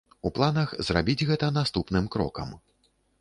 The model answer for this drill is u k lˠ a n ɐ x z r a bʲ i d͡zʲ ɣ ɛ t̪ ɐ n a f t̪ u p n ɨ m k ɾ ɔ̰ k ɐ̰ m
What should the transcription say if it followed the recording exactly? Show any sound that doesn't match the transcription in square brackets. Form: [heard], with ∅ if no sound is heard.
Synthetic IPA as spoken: u [p] lˠ a n ɐ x z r a bʲ i d͡zʲ ɣ ɛ t̪ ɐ n a [s] t̪ u p n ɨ m k ɾ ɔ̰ k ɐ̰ m